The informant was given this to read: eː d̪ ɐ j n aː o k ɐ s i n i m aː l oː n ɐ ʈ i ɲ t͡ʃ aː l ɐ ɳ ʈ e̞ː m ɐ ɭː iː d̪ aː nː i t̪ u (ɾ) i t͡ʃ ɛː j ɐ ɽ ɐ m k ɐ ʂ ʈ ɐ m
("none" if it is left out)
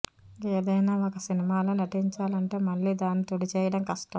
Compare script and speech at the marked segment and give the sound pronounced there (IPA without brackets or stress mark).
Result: ɽ